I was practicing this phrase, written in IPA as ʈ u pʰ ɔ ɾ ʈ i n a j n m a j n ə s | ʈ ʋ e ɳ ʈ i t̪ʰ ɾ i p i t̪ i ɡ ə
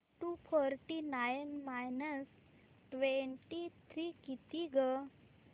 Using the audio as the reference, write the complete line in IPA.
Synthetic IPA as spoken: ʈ u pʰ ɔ ɾ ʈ i n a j n m a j n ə s | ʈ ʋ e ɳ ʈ i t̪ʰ ɾ i k i t̪ i ɡ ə